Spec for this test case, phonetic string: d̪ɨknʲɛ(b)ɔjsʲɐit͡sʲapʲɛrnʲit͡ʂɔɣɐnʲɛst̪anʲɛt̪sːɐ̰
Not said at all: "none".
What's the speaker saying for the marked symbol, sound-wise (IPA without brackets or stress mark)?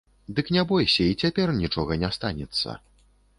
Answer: b